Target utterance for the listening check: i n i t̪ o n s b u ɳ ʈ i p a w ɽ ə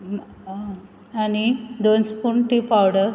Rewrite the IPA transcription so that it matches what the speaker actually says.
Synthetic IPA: a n i d̪ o n s p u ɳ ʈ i p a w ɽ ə